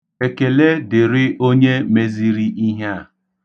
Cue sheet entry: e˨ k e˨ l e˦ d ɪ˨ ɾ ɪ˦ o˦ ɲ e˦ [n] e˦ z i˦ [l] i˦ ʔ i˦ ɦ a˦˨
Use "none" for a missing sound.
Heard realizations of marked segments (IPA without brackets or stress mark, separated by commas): m, ɾ